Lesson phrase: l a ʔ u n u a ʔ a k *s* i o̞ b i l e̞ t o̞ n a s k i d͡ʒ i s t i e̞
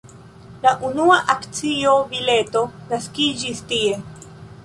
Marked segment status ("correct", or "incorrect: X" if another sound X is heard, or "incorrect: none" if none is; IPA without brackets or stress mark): incorrect: t͡s